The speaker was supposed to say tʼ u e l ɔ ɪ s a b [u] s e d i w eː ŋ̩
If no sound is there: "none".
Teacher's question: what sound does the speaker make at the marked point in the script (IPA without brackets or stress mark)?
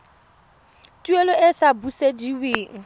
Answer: u